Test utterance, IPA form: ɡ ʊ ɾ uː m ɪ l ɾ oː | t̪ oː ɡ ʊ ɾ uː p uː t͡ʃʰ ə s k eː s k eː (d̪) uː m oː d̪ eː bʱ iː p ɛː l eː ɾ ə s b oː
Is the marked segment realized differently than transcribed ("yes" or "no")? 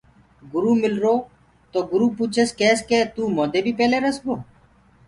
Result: yes